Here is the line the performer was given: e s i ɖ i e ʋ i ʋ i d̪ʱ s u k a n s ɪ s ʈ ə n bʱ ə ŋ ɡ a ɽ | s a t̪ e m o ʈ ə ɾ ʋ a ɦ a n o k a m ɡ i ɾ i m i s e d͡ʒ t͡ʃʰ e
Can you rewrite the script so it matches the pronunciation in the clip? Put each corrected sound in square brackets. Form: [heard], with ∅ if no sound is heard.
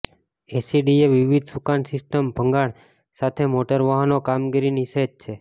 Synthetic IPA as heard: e s i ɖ i e ʋ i ʋ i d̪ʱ s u k a n s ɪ s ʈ ə [m] bʱ ə ŋ ɡ a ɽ | s a [t̪ʰ] e m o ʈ ə ɾ ʋ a ɦ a n o k a m ɡ i ɾ i [n] i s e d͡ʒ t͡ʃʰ e